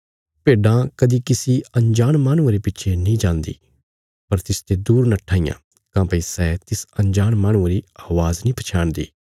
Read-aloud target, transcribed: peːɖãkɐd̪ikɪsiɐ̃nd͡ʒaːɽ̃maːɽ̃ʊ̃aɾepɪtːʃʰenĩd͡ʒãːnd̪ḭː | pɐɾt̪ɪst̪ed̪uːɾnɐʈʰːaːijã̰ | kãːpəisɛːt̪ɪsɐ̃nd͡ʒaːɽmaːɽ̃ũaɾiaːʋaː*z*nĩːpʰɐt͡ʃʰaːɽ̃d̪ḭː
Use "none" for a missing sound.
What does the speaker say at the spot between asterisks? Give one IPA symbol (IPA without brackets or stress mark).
z